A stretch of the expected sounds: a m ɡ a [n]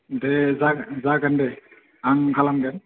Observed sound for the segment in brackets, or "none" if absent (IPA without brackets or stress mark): n